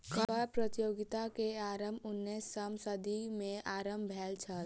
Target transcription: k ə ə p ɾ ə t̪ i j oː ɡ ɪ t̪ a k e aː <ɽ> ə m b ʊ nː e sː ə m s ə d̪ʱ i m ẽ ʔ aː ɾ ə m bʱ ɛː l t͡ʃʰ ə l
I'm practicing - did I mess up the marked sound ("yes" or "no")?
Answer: yes